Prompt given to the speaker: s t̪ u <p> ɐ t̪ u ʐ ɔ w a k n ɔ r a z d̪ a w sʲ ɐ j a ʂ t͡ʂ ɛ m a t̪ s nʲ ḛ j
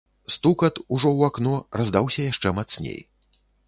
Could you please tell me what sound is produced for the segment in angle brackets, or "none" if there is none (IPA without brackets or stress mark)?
k